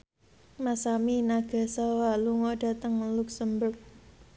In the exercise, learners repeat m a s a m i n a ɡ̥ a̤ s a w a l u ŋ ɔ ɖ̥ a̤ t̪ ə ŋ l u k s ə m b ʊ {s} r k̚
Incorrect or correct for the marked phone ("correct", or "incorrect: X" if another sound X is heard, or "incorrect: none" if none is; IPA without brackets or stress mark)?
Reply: incorrect: none